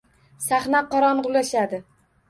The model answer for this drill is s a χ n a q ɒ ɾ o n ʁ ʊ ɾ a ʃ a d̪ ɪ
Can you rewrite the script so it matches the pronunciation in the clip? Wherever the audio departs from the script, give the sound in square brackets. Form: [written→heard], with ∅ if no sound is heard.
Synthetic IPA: s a χ n a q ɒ ɾ [o→ɒ] n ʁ ʊ [ɾ→l] a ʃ a d̪ ɪ